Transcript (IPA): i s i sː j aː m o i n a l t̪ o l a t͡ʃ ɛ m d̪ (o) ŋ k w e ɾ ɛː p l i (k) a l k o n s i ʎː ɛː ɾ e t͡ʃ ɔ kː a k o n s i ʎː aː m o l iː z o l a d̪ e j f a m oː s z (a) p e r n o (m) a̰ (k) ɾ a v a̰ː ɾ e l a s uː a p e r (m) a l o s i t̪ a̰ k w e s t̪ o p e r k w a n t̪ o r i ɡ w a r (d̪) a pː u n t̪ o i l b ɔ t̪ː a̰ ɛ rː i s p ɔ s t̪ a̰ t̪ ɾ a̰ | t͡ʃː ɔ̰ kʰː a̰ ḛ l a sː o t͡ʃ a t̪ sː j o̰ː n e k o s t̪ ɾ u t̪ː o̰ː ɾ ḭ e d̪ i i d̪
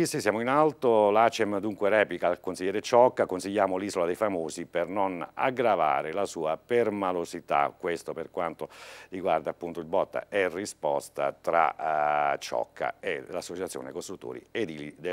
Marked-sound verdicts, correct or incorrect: incorrect: u, correct, incorrect: i, incorrect: n, incorrect: ɡ, correct, correct

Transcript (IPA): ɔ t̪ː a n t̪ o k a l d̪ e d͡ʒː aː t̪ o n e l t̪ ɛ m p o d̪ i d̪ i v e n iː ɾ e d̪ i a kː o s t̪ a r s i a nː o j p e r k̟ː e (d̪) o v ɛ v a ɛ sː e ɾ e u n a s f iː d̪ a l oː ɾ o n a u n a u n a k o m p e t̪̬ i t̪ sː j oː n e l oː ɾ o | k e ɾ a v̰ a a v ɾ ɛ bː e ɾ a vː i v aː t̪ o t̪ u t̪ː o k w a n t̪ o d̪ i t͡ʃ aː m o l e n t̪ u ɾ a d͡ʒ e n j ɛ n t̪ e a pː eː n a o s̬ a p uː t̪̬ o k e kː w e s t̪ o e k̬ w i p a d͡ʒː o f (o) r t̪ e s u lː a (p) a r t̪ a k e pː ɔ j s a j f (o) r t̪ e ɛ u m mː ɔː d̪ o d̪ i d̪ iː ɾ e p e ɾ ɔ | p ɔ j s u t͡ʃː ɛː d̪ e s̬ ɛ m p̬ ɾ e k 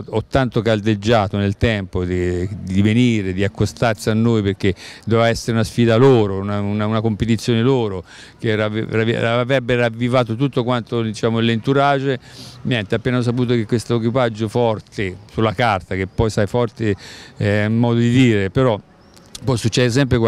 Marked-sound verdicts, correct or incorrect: correct, incorrect: ɔ, incorrect: k, incorrect: ɔ

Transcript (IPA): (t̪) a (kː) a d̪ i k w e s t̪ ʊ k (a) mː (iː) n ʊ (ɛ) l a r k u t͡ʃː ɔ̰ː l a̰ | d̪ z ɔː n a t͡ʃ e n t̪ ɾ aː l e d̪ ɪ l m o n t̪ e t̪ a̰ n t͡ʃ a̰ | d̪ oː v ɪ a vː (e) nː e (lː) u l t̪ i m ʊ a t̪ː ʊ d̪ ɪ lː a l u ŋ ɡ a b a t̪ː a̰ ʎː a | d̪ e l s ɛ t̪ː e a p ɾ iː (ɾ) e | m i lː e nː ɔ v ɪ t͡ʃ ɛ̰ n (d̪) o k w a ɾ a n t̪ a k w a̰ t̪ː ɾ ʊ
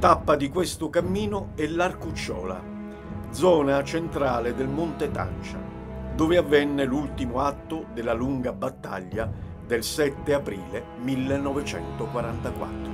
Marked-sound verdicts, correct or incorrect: correct, incorrect: pː, correct, correct, correct, incorrect: ɛ, incorrect: l, incorrect: l, incorrect: t̪

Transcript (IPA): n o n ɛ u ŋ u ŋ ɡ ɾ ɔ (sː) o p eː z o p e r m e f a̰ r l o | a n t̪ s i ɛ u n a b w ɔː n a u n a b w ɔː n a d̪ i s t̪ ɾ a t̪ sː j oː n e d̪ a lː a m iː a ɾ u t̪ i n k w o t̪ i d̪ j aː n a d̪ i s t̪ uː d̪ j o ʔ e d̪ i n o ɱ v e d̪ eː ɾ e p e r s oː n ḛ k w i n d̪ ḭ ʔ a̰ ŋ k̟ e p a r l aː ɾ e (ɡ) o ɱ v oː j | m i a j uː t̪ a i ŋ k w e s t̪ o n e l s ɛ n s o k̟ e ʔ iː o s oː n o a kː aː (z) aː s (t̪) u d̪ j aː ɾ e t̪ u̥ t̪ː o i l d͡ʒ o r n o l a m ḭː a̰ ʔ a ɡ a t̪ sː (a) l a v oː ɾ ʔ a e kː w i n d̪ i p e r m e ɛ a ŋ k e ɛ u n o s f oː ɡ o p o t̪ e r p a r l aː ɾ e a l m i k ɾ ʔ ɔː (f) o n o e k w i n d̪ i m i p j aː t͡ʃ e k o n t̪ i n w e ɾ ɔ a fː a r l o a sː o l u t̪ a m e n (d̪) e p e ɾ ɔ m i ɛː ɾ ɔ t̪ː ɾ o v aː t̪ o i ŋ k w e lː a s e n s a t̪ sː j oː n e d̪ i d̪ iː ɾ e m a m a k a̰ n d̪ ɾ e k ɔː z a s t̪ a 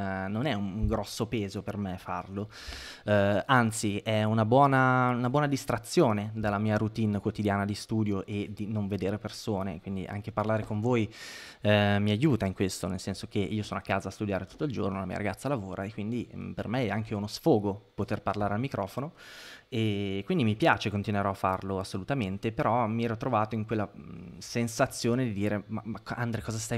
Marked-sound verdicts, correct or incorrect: correct, incorrect: k, correct, correct, correct, correct, incorrect: t̪

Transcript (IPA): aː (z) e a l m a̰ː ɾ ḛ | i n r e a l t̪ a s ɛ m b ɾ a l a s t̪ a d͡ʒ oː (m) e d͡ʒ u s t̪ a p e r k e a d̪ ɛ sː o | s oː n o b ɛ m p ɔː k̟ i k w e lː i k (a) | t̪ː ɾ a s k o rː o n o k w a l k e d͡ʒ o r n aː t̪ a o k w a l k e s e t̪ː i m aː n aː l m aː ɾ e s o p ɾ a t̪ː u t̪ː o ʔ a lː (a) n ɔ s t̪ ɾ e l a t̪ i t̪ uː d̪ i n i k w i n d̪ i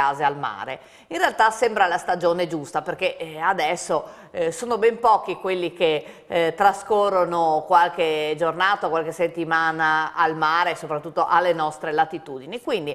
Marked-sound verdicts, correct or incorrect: correct, incorrect: n, incorrect: e, incorrect: e

